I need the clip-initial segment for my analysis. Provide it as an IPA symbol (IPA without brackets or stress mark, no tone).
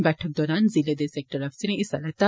b